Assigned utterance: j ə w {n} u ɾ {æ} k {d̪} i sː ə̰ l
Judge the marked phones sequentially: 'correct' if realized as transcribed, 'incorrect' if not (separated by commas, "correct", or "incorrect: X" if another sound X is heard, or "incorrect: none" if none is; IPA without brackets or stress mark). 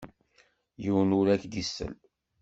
correct, correct, correct